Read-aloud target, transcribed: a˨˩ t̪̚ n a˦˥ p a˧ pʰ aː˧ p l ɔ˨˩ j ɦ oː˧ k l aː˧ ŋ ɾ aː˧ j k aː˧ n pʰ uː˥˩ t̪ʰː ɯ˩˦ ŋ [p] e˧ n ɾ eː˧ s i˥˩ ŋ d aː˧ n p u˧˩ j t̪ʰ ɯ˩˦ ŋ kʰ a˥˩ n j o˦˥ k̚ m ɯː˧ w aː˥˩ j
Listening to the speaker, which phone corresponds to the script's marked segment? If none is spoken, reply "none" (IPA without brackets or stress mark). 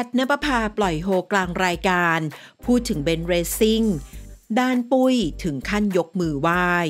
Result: b